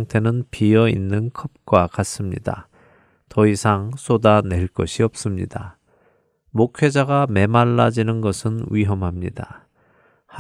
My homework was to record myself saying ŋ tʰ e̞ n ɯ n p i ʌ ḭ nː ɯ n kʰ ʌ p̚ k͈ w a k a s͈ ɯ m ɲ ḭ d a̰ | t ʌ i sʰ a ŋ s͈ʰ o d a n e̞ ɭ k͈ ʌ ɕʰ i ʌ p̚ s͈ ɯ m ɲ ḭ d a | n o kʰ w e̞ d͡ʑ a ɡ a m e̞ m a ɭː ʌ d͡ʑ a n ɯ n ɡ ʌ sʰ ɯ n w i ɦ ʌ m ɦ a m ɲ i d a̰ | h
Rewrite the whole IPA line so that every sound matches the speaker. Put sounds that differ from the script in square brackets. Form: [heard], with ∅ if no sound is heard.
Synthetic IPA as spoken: ŋ tʰ e̞ n ɯ n p i ʌ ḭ nː ɯ n kʰ ʌ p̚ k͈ w a k a s͈ ɯ m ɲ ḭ d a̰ | t ʌ i sʰ a ŋ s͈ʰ o d a n e̞ ɭ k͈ ʌ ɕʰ i ʌ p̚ s͈ ɯ m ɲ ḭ d a | [m] o kʰ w e̞ d͡ʑ a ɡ a m e̞ m a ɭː [a] d͡ʑ [i] n ɯ n ɡ ʌ sʰ ɯ n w i ɦ ʌ m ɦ a m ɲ i d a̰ | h